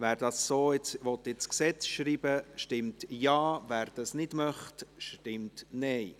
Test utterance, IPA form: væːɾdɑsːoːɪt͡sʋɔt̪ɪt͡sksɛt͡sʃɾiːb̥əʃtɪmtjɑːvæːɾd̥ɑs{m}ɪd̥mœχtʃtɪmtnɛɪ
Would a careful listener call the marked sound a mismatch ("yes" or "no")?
yes